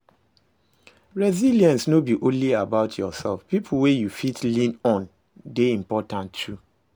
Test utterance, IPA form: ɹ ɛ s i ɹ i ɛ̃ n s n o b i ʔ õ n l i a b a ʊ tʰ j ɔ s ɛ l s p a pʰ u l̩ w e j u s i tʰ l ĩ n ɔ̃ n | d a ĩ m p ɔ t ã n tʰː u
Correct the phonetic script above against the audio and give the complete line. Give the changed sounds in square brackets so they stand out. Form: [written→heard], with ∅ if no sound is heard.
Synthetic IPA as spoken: ɹ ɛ [s→z] i [ɹ→l] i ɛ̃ n s n o b i ʔ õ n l i a b a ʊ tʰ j ɔ s ɛ l [s→f] p [a→i] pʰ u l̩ w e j u [s→f] i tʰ l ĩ n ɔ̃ n | d [a→e] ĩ m p ɔ t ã n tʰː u